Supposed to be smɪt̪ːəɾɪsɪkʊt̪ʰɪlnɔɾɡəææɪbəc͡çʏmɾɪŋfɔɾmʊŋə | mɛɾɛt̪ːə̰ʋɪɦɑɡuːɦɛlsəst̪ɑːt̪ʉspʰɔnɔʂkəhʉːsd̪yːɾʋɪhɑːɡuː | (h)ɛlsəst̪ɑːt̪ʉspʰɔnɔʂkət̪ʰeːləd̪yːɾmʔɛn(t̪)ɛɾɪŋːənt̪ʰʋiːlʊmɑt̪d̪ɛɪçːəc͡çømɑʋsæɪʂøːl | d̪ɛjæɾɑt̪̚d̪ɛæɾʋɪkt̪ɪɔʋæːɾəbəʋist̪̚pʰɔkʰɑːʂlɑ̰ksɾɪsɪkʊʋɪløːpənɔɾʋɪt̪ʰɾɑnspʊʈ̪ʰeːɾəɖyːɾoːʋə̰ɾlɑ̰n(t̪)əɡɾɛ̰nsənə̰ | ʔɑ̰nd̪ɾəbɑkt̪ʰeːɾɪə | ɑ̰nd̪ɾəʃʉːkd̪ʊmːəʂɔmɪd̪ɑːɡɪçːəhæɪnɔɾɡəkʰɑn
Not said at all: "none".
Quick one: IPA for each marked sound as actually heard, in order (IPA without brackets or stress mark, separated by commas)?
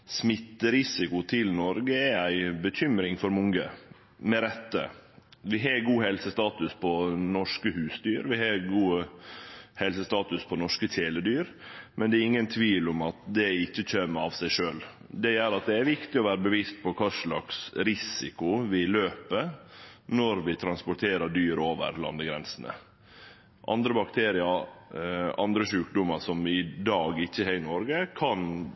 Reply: h, d̪, d̪